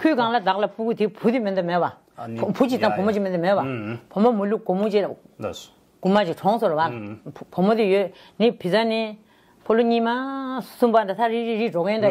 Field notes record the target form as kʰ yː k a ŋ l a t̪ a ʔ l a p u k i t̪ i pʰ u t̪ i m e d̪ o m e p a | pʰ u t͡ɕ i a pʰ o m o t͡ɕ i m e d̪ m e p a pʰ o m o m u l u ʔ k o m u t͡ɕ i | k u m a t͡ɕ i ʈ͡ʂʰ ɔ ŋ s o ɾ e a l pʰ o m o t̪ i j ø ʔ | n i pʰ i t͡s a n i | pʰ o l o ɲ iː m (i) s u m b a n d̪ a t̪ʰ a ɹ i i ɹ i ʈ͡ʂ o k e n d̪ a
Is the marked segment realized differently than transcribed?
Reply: yes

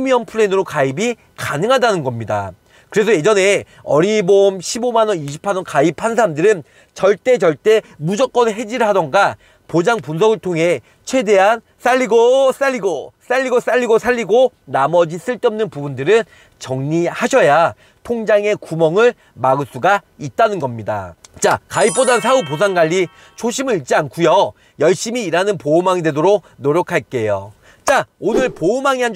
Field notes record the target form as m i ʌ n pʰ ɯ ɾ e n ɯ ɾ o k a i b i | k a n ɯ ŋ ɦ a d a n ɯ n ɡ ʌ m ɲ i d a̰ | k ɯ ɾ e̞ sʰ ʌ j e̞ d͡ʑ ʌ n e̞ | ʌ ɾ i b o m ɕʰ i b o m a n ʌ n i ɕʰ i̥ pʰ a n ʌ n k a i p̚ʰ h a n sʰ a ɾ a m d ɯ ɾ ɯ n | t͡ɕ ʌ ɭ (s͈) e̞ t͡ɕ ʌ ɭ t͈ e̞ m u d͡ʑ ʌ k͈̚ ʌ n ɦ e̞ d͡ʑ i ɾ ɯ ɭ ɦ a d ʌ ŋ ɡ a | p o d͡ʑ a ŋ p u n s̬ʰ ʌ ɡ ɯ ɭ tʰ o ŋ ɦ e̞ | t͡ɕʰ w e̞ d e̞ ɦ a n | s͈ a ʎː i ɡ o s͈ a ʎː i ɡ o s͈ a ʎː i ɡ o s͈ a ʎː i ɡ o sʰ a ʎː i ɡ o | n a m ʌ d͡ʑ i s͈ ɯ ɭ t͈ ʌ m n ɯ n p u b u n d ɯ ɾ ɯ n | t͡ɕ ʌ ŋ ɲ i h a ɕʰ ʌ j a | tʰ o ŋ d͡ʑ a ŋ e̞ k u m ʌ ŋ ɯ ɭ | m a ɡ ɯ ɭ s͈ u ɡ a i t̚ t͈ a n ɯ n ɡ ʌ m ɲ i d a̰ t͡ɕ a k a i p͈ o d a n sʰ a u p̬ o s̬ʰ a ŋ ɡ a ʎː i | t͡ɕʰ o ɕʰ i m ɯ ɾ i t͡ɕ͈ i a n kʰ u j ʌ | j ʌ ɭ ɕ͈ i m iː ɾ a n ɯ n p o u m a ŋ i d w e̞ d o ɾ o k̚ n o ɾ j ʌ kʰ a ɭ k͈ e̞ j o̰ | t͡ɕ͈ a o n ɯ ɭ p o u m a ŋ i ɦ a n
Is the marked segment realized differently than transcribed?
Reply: yes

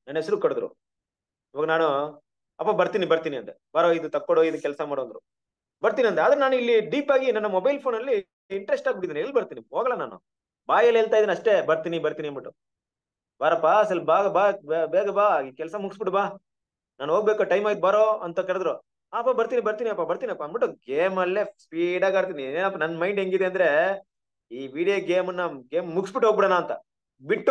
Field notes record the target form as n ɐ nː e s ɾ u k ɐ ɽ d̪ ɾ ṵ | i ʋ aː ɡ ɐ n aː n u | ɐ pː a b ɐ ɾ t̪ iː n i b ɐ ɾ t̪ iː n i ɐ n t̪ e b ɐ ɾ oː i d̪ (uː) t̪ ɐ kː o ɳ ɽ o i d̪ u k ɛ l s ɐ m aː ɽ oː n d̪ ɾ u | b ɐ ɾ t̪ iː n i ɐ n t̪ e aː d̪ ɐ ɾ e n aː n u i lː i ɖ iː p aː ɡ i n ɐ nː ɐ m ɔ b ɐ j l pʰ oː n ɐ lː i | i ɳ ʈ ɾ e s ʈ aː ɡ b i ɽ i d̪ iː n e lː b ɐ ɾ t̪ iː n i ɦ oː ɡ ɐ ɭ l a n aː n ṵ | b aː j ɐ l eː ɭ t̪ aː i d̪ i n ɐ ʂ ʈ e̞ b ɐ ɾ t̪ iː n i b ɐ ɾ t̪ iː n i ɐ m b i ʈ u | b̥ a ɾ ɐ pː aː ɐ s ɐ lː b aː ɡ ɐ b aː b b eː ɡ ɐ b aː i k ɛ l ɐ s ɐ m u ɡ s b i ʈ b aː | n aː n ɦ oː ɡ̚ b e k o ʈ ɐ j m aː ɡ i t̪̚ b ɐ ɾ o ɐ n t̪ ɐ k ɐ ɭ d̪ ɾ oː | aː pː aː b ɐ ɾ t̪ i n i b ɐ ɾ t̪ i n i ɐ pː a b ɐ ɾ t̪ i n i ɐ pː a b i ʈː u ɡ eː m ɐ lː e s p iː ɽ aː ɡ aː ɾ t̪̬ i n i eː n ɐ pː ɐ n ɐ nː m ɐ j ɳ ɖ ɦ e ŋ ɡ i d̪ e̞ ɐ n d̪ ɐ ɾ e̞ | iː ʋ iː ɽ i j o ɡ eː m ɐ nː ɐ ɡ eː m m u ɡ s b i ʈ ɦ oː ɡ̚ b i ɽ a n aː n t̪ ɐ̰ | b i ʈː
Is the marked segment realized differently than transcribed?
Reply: yes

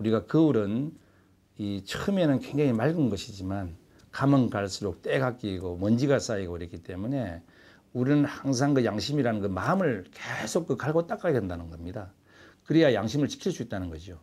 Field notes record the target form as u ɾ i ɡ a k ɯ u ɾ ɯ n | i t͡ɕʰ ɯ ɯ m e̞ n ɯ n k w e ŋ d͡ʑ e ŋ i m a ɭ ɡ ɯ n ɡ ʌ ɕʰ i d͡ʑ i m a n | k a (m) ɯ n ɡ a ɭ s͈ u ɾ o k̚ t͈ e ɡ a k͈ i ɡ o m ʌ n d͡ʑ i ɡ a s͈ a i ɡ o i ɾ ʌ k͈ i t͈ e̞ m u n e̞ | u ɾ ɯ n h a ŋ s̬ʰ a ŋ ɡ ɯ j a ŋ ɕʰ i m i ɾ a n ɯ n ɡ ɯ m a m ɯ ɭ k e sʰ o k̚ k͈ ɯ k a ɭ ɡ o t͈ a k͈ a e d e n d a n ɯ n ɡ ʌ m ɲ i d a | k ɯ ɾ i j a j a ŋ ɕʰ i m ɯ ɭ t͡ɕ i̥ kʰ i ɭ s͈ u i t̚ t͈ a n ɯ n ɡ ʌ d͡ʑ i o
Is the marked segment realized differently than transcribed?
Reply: no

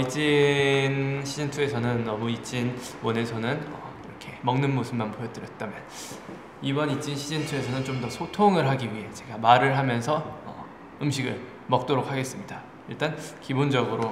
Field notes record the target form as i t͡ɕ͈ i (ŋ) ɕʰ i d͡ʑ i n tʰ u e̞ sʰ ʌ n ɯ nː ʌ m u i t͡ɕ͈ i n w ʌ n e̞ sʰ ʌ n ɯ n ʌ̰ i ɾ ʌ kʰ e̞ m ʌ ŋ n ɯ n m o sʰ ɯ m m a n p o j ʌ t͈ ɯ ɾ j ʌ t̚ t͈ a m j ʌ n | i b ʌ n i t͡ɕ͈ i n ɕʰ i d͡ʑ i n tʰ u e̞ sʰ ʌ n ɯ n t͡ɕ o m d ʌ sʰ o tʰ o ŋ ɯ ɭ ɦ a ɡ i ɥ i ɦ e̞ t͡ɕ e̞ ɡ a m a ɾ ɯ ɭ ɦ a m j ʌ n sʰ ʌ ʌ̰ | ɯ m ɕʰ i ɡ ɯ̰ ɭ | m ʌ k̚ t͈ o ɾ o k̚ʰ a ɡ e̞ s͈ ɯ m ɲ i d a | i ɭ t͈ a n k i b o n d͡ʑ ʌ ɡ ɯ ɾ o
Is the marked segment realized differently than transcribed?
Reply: yes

